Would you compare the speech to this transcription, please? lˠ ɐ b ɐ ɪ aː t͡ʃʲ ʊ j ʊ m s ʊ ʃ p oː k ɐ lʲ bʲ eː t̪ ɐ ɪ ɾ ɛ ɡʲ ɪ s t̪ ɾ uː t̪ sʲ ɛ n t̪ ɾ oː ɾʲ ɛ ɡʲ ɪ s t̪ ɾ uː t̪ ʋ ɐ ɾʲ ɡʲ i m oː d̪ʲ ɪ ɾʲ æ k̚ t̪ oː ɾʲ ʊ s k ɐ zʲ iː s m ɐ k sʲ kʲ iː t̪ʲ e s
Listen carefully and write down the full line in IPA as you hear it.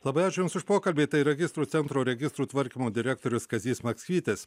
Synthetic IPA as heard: lˠ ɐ b ɐ ɪ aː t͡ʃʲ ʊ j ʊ m s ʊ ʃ p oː k ɐ lʲ bʲ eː t̪ ɐ ɪ ɾ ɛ ɡʲ ɪ s t̪ ɾ uː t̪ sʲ ɛ n t̪ ɾ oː ɾʲ ɛ ɡʲ ɪ s t̪ ɾ uː t̪ ʋ ɐ ɾʲ kʲ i m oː d̪ʲ ɪ ɾʲ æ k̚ t̪ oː ɾʲ ʊ s k ɐ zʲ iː s m ɐ k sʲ kʲ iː t̪ʲ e s